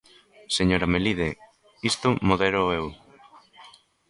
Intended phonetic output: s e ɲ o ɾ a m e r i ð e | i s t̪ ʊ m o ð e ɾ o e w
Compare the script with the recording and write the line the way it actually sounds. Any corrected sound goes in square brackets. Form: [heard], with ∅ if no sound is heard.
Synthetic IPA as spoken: s e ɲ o ɾ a m e [l] i ð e | i s t̪ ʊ m o ð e ɾ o e w